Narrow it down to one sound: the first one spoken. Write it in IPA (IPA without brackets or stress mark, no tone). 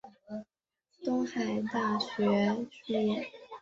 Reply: t̪